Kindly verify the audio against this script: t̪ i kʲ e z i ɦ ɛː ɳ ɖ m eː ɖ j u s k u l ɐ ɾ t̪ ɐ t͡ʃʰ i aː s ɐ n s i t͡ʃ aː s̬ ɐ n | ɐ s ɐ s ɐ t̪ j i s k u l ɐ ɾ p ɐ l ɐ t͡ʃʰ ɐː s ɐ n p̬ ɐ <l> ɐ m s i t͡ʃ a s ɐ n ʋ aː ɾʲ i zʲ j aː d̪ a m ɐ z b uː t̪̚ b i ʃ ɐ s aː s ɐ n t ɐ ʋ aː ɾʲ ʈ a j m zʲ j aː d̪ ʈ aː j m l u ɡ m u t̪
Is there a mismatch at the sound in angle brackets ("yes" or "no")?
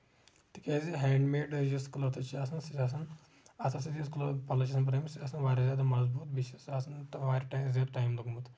yes